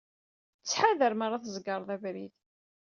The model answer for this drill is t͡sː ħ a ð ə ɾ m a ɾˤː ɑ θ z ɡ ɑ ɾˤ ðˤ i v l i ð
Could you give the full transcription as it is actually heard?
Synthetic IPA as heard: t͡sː ħ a ð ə ɾ m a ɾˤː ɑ θ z ɡ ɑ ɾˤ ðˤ æ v ɾ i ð